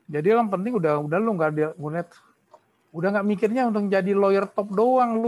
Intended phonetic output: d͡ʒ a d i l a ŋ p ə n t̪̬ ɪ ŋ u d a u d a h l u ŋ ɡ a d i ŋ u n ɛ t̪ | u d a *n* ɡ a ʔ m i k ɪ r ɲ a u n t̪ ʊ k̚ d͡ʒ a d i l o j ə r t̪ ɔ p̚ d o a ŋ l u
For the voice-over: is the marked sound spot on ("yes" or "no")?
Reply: no